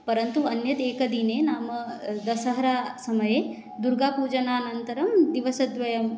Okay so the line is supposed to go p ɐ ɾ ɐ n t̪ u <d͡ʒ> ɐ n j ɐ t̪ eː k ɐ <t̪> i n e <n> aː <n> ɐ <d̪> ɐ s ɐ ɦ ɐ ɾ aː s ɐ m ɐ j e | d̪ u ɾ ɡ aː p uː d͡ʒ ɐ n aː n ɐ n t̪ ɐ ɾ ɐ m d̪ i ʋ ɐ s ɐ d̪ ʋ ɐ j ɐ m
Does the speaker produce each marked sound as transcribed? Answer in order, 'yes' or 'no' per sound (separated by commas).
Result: no, no, yes, no, yes